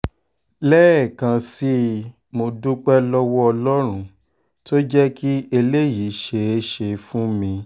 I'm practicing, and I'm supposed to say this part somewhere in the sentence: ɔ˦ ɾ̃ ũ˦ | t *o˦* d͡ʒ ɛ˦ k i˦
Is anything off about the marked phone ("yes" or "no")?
no